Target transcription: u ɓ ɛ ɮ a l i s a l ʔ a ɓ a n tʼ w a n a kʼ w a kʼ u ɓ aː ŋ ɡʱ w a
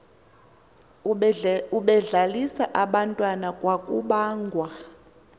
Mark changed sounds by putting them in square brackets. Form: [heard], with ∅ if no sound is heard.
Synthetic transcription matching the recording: u ɓ ɛ ɮ a l i s a [∅] ʔ a ɓ a n tʼ w a n a kʼ w a kʼ u ɓ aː ŋ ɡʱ w a